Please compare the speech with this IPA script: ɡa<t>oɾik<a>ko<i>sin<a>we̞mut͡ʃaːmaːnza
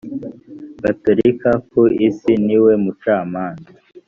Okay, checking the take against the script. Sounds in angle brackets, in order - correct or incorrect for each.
correct, correct, correct, incorrect: i

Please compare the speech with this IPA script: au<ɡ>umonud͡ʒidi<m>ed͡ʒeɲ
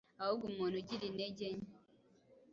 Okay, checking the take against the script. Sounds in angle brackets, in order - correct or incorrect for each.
correct, incorrect: n

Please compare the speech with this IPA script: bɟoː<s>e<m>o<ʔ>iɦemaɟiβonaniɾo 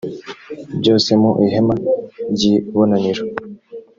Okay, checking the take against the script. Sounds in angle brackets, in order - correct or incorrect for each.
correct, correct, correct

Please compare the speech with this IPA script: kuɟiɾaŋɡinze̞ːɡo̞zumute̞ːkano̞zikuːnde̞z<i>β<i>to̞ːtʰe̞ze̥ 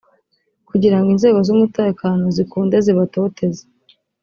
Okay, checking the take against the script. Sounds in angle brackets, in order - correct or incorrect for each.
correct, incorrect: a

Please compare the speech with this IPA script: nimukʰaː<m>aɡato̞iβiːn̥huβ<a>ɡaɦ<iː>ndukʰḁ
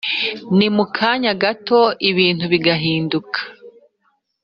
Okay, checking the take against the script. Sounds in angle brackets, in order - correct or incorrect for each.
incorrect: ɲ, incorrect: i, correct

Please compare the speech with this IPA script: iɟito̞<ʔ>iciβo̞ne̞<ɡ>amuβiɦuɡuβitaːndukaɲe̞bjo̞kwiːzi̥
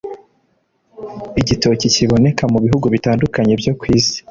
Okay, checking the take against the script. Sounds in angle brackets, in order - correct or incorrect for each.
incorrect: c, incorrect: k

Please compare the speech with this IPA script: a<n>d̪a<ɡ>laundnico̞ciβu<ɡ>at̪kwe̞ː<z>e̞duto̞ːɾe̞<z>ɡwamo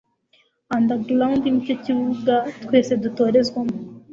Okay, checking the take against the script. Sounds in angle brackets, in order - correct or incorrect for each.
correct, correct, correct, incorrect: s, correct

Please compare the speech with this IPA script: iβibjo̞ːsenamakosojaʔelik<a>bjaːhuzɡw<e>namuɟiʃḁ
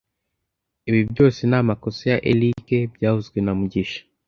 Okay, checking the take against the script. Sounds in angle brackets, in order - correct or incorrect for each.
incorrect: e, correct

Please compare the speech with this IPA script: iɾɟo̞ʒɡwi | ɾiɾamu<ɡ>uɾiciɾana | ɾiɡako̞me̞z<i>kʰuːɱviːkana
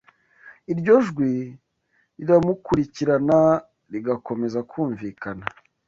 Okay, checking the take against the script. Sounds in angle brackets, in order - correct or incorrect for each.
incorrect: k, incorrect: a

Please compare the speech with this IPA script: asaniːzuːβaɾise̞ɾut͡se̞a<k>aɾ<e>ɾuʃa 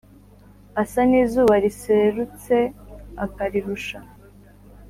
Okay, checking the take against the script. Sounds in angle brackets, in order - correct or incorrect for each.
correct, incorrect: i

